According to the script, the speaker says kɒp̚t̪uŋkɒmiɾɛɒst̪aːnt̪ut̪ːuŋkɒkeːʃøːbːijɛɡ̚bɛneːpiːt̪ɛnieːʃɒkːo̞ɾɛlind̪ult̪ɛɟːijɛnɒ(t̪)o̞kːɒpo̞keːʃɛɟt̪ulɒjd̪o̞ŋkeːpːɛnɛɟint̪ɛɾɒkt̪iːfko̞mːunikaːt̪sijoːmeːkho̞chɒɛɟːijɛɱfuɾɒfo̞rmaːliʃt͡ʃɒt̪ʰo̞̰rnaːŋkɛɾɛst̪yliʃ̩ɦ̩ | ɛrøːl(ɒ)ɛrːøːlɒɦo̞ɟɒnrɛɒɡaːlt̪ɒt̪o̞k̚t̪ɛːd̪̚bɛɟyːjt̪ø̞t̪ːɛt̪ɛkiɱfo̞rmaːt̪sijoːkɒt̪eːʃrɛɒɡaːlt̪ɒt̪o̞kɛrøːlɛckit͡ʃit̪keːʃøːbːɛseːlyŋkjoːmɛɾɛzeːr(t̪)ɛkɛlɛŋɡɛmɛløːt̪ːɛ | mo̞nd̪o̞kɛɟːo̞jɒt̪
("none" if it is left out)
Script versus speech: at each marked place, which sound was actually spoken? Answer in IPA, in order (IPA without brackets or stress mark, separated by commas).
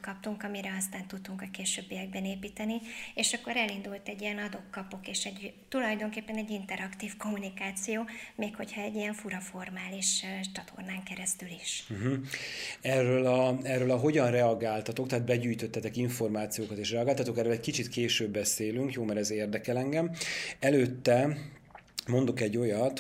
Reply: d̪, ɒ, d̪